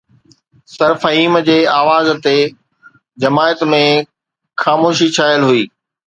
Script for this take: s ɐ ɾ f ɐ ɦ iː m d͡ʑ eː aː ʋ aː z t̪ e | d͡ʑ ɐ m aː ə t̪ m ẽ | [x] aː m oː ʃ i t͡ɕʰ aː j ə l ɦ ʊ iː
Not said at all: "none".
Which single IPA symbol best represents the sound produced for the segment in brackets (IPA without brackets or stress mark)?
x